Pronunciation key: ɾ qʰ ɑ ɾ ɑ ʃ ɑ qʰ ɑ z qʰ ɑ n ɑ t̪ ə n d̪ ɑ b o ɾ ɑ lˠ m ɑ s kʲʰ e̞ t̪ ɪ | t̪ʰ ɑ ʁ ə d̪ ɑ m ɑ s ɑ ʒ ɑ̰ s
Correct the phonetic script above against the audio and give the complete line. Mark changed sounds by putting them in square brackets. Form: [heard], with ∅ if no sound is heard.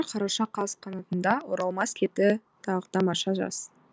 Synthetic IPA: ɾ qʰ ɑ ɾ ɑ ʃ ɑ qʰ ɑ z qʰ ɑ n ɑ t̪ ə n d̪ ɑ [w] o ɾ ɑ lˠ m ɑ s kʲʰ e̞ t̪ ɪ | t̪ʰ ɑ ʁ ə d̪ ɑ m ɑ [ʃ] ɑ ʒ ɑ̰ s